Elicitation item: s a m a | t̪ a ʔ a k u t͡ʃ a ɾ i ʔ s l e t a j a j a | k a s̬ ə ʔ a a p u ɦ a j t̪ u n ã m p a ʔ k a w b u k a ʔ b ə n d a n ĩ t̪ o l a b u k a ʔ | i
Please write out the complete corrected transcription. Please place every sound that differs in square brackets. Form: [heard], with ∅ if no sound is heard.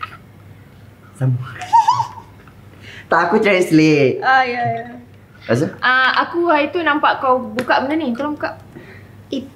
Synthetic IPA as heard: s a m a | t̪ a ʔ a k u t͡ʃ a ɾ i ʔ s l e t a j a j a | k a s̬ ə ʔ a a [k] u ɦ a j t̪ u n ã m p a ʔ k a w b u k a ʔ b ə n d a n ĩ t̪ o l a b u k a ʔ | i